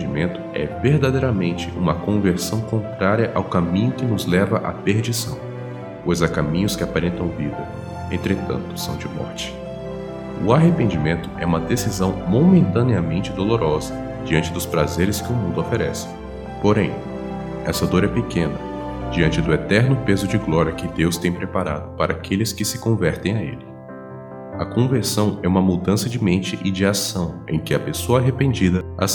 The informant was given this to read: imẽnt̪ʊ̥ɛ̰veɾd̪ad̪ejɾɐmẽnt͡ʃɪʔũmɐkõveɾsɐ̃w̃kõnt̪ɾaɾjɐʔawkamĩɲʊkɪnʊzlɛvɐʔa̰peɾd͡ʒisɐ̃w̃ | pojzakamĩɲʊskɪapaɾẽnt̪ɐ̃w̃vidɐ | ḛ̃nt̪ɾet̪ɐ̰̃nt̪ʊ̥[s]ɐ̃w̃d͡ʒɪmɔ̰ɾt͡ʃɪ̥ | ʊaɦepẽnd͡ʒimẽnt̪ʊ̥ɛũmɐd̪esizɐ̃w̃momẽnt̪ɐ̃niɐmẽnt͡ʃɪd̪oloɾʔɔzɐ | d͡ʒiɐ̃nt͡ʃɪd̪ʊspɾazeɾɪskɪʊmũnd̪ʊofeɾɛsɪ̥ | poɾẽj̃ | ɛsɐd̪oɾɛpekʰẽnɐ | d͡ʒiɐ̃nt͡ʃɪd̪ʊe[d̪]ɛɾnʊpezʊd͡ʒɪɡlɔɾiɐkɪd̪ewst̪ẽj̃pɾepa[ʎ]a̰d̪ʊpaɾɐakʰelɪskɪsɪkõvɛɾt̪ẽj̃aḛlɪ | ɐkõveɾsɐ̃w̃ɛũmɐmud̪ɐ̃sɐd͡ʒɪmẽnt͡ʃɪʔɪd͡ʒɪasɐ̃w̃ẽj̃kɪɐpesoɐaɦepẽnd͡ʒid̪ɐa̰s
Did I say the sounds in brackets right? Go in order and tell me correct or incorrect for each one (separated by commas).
correct, incorrect, incorrect